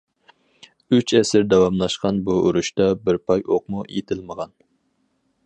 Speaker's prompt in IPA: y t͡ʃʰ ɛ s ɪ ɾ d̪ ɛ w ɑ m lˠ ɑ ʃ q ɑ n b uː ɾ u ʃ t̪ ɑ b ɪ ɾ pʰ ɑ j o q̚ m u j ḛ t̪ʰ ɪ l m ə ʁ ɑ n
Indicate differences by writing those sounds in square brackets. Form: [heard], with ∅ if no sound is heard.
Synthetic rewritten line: y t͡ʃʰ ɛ s ɪ ɾ d̪ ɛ w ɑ m lˠ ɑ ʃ q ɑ n b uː ɾ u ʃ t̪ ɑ b ɪ ɾ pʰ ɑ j o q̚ m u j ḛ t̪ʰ ɪ l m ə ʁ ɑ n

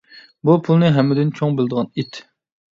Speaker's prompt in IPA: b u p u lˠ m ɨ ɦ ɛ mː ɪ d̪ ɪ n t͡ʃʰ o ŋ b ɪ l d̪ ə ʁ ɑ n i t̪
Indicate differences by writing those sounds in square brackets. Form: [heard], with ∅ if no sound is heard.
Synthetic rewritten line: b u [pʰ] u lˠ [n] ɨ ɦ ɛ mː ɪ d̪ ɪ n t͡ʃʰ o ŋ b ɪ l d̪ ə ʁ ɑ n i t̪

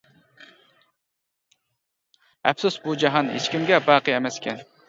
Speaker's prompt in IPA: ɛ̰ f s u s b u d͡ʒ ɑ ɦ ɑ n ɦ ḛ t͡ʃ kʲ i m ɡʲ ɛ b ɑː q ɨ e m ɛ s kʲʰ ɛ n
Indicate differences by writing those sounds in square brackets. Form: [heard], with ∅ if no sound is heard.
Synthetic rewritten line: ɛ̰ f s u s b u d͡ʒ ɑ ɦ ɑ n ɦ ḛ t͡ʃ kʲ i m ɡʲ ɛ b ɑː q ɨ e m ɛ s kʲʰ ɛ n

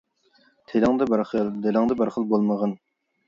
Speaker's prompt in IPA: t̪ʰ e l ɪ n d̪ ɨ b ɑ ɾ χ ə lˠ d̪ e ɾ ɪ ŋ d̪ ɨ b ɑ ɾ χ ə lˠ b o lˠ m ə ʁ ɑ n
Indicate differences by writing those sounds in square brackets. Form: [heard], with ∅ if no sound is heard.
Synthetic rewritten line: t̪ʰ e l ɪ [ŋ] d̪ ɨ b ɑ ɾ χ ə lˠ d̪ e [l] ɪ ŋ d̪ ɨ b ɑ ɾ χ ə lˠ b o lˠ m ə ʁ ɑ n

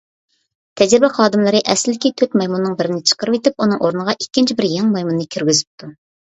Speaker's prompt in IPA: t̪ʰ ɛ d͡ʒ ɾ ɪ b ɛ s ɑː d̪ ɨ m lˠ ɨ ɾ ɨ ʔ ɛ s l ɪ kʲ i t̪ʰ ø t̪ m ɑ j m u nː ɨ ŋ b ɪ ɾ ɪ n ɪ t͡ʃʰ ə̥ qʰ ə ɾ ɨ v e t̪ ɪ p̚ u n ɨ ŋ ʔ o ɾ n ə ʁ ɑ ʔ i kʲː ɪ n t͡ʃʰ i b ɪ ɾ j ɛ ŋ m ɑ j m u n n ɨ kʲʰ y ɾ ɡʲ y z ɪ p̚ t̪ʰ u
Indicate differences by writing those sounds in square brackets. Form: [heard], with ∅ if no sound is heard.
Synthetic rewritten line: t̪ʰ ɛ d͡ʒ ɾ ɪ b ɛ [χ] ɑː d̪ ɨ m lˠ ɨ ɾ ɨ ʔ ɛ s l ɪ kʲ i t̪ʰ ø t̪ m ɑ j m u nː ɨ ŋ b ɪ ɾ ɪ n ɪ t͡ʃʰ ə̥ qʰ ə ɾ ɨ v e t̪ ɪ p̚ u n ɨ ŋ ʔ o ɾ n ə ʁ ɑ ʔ i kʲː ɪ n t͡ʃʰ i b ɪ ɾ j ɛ ŋ m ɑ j m u n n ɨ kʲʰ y ɾ ɡʲ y z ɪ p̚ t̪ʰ u

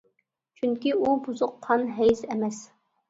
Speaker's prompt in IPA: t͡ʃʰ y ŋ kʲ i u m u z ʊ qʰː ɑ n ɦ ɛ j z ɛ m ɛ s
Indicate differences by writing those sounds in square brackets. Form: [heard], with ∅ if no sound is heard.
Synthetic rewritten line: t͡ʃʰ y ŋ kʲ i u [b] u z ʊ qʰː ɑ n ɦ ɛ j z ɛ m ɛ s

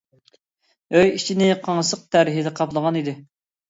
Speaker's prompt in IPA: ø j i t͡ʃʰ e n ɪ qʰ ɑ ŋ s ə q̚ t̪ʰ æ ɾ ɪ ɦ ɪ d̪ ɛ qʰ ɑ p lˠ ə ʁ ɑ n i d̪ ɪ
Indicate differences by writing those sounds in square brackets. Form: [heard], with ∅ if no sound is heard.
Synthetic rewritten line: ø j i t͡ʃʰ [i] n ɪ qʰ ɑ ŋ s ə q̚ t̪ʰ æ ɾ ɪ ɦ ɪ d̪ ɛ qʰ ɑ p lˠ ə ʁ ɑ n i d̪ ɪ

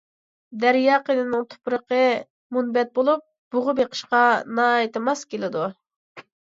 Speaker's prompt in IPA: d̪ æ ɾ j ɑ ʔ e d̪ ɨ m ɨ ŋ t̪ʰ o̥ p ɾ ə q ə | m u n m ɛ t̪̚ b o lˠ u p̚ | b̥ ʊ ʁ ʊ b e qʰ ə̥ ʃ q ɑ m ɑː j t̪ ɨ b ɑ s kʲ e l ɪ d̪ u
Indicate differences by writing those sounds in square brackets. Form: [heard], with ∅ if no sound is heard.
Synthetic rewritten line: d̪ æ ɾ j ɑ [q] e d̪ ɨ [n] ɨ ŋ t̪ʰ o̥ p ɾ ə q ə | m u n [b] ɛ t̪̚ b o lˠ u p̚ | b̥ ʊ ʁ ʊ b e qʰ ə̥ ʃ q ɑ [n] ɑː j t̪ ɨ [m] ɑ s kʲ e l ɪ d̪ u

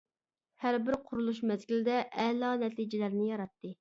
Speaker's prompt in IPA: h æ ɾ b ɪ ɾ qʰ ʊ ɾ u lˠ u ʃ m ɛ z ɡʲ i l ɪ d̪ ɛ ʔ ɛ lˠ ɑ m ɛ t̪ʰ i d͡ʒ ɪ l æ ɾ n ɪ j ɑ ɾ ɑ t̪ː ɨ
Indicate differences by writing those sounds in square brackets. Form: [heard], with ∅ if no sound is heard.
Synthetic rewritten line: h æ ɾ b ɪ ɾ qʰ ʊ ɾ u lˠ u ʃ m ɛ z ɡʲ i l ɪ d̪ ɛ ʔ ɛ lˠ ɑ [n] ɛ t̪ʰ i d͡ʒ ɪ l æ ɾ n ɪ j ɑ ɾ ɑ t̪ː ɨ

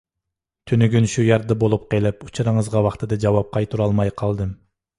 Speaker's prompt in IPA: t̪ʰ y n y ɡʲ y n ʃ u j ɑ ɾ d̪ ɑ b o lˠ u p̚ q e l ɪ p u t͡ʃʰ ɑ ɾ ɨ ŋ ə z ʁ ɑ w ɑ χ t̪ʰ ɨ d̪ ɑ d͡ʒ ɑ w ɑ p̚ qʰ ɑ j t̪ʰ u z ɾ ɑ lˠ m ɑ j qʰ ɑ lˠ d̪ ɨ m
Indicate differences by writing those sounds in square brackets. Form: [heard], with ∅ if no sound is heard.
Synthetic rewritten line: t̪ʰ y n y ɡʲ y n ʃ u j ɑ ɾ d̪ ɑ b o lˠ u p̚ q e l ɪ p u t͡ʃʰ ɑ ɾ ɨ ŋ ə z ʁ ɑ w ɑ χ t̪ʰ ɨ d̪ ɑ d͡ʒ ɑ w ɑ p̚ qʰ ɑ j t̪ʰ u [∅] ɾ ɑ lˠ m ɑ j qʰ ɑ lˠ d̪ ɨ m

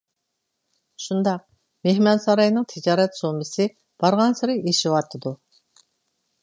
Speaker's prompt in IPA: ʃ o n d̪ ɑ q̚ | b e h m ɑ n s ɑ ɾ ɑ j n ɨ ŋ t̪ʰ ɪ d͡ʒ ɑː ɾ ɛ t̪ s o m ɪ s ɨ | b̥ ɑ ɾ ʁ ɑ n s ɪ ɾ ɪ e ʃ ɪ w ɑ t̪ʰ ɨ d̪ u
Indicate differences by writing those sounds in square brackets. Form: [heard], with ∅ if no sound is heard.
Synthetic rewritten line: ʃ [u] n d̪ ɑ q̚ | [m] e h m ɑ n s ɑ ɾ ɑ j n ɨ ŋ t̪ʰ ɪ d͡ʒ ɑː ɾ ɛ t̪ s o m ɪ s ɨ | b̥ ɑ ɾ ʁ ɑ n s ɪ ɾ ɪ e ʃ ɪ w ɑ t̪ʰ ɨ d̪ u

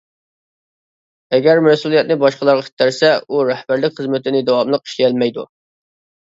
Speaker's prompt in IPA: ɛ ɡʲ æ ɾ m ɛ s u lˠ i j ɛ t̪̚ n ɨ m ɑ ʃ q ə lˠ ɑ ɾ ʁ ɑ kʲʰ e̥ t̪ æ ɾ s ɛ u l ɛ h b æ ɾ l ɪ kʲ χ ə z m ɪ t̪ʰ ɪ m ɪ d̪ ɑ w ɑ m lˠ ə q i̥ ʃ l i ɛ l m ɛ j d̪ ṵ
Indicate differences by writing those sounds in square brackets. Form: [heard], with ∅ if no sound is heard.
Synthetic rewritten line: ɛ ɡʲ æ ɾ m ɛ s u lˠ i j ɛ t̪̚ n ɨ [b] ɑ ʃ q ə lˠ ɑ ɾ ʁ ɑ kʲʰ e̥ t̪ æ ɾ s ɛ u [ɾ] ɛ h b æ ɾ l ɪ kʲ χ ə z m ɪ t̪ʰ ɪ [n] ɪ d̪ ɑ w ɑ m lˠ ə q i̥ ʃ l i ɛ l m ɛ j d̪ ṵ

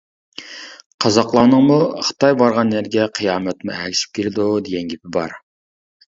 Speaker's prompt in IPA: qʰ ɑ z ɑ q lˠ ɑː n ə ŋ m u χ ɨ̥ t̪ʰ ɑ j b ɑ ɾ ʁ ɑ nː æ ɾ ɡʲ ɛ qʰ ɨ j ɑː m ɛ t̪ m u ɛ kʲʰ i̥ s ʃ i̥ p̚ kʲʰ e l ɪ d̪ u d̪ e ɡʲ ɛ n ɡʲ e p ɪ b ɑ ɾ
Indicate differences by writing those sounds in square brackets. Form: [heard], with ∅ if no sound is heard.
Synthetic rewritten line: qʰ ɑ z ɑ q lˠ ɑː n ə ŋ m u χ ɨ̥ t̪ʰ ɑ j b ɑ ɾ ʁ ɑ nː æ ɾ ɡʲ ɛ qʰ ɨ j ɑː m ɛ t̪ m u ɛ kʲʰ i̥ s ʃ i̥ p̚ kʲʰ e l ɪ d̪ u d̪ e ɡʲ ɛ n ɡʲ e p ɪ b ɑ ɾ

